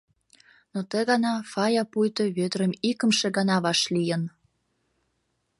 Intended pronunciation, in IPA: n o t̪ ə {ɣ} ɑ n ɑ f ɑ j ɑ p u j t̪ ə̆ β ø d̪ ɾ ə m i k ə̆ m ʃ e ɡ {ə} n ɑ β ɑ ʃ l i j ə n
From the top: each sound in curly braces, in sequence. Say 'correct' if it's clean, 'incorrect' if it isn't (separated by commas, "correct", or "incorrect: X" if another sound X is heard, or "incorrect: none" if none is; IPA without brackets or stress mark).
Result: correct, incorrect: ɑ